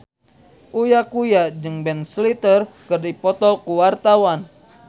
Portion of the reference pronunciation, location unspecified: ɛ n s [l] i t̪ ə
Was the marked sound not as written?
no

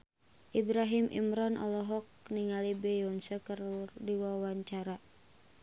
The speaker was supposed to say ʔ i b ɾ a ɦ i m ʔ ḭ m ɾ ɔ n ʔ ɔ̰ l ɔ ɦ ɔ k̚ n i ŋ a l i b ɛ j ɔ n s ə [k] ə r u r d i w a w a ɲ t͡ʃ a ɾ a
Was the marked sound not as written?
no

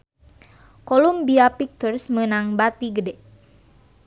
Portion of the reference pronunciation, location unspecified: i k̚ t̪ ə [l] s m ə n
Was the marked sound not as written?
yes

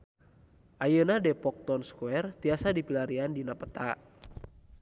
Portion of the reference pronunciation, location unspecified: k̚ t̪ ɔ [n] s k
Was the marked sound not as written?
no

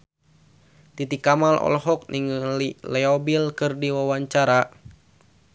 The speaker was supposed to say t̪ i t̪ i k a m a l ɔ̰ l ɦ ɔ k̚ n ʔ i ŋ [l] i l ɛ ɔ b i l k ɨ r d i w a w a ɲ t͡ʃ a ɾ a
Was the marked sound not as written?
no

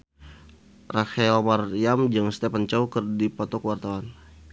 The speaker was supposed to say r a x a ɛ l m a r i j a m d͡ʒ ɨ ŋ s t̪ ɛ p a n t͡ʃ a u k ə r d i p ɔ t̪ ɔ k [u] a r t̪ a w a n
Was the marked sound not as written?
yes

